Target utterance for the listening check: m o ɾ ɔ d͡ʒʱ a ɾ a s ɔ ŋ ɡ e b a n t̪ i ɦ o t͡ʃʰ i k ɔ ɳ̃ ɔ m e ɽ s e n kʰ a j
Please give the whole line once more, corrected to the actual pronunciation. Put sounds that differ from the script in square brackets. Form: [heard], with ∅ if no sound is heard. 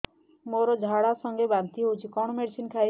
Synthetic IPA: m o ɾ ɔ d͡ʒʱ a [ɽ] a s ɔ ŋ ɡ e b a n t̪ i ɦ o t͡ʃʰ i k ɔ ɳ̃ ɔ m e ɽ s [i] n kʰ a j